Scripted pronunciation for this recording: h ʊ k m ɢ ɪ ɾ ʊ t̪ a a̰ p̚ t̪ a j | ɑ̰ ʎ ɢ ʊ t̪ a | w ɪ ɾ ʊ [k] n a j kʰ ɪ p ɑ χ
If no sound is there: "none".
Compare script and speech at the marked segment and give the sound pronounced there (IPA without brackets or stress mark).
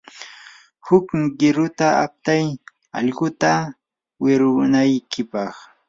none